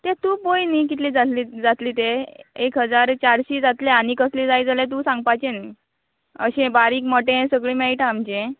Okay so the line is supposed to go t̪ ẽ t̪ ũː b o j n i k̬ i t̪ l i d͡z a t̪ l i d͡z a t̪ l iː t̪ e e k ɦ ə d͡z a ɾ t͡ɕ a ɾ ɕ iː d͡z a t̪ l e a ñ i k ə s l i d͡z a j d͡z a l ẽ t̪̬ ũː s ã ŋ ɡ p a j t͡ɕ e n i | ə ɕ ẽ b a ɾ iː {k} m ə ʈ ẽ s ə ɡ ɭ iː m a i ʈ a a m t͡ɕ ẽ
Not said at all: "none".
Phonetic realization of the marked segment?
k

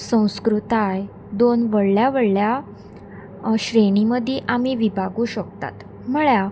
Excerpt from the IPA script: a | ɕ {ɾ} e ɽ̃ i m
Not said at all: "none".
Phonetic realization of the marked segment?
ɾ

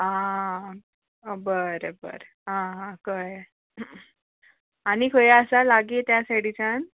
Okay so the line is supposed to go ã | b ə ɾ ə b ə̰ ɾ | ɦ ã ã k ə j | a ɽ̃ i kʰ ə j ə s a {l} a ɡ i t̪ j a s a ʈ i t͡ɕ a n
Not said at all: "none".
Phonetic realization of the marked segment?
l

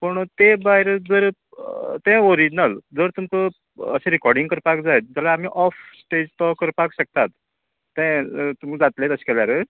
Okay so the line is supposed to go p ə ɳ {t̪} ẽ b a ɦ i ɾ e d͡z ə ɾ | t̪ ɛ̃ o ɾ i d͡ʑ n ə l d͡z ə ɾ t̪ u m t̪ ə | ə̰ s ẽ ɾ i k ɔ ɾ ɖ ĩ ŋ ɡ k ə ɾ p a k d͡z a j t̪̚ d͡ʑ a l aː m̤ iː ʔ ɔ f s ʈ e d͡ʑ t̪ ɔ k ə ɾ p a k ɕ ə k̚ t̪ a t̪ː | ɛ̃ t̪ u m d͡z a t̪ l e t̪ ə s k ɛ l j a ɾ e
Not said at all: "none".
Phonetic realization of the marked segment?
t̪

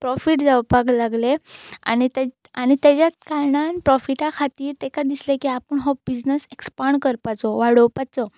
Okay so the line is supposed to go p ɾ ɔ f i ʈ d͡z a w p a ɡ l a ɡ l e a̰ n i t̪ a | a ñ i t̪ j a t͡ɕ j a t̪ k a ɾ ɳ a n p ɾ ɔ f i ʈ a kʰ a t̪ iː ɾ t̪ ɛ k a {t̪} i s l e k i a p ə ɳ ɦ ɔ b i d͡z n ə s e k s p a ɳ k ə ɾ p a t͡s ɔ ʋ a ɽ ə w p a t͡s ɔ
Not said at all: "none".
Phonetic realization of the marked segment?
d̪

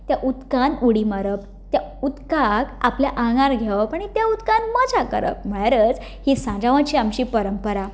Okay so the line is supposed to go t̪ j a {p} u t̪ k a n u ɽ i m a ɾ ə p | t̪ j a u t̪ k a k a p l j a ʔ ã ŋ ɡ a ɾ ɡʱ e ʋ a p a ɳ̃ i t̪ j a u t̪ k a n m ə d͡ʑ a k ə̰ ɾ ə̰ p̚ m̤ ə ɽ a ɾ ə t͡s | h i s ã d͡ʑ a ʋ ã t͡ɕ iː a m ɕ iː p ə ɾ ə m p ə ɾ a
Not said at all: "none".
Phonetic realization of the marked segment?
ʔ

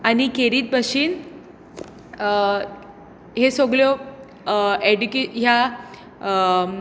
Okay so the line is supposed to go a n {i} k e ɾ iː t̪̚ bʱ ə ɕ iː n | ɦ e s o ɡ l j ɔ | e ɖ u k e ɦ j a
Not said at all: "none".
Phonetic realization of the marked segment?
i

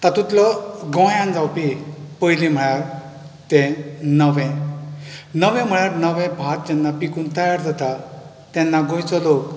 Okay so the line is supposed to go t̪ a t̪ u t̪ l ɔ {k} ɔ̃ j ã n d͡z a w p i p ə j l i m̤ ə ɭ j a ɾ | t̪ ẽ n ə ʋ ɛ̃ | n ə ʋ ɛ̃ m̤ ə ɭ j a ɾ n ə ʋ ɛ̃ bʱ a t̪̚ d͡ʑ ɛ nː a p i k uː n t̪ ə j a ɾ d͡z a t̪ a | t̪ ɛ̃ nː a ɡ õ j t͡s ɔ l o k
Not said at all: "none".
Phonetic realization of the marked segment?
ɡ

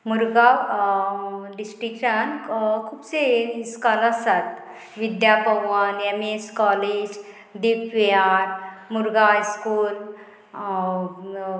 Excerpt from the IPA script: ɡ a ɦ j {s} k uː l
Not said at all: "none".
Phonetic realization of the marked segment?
s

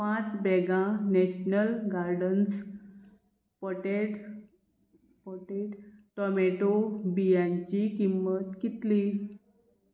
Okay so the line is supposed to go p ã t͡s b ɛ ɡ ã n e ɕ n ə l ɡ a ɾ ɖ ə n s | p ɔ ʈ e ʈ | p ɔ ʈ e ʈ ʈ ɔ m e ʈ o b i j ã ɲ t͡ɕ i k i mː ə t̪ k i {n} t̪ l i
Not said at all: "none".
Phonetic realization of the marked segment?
none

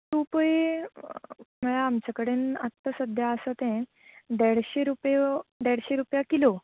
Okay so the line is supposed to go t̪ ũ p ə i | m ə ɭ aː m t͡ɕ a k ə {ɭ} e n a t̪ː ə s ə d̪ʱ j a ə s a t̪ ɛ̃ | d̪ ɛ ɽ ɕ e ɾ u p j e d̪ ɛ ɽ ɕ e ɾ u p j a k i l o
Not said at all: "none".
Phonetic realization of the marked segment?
ɽ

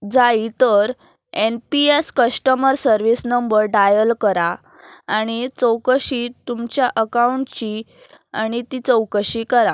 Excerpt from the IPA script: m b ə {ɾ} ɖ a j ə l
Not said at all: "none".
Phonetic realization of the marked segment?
ɾ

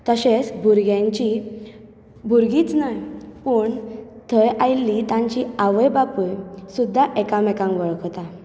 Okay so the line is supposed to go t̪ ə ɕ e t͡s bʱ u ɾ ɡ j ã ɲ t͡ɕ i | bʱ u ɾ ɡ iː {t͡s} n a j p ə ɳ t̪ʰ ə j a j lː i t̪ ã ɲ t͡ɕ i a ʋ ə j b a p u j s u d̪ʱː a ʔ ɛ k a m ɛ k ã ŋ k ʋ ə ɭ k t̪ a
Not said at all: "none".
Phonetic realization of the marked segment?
t͡s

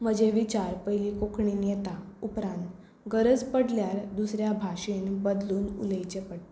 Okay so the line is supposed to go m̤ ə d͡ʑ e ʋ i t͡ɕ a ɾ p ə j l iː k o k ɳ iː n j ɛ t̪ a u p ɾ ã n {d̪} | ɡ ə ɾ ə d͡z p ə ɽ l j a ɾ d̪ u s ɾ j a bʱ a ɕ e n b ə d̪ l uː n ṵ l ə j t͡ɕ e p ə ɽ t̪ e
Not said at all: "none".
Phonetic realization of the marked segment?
t̪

